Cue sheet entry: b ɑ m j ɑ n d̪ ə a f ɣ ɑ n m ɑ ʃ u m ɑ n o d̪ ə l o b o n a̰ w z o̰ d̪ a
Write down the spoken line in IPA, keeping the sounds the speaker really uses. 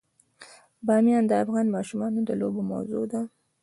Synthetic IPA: b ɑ m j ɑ n d̪ ə a f ɣ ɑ n m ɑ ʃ u m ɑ n o d̪ ə l o b o m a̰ w z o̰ d̪ a